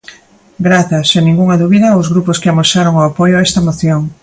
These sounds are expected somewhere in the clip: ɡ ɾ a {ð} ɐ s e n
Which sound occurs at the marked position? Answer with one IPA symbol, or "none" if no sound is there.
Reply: θ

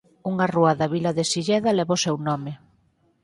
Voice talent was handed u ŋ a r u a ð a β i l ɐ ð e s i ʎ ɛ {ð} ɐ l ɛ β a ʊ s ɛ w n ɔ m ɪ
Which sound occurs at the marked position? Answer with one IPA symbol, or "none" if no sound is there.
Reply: ð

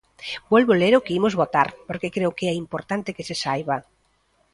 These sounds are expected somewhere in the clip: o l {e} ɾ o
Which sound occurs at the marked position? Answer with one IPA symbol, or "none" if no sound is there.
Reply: e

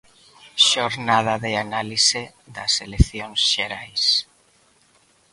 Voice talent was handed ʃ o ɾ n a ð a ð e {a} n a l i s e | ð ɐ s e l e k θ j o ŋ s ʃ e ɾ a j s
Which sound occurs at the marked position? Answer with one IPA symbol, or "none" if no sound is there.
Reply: a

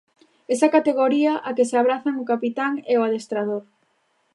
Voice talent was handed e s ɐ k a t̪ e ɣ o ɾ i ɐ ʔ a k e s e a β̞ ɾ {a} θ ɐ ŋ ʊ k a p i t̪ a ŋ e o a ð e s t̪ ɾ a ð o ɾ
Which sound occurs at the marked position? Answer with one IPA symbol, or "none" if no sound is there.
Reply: a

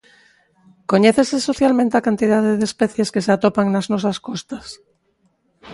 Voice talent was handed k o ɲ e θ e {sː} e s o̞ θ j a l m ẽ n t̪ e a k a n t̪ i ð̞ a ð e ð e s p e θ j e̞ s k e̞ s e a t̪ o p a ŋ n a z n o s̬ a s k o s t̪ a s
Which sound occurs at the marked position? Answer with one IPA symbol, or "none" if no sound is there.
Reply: s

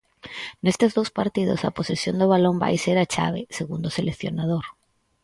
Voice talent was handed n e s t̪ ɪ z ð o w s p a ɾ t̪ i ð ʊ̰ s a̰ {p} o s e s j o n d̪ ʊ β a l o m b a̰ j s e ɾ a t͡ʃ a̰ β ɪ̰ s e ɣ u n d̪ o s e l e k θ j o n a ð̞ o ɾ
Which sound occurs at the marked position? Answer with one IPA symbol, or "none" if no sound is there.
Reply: p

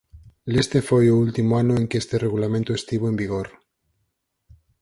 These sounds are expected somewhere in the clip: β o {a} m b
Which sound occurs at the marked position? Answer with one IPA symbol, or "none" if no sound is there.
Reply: e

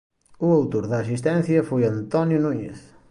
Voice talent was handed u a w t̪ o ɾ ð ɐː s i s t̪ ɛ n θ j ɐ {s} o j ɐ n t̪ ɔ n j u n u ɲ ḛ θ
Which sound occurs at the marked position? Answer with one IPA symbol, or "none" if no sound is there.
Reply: f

